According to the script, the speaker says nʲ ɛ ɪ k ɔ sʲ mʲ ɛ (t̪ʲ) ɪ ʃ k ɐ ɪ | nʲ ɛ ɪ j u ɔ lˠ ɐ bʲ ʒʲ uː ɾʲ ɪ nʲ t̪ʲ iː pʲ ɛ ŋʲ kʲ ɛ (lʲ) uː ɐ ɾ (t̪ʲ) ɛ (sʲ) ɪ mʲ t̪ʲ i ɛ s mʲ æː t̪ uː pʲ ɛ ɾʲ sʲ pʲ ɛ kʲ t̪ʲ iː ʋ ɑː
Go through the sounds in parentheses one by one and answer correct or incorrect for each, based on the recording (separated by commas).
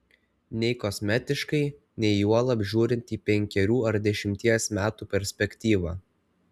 correct, incorrect, incorrect, incorrect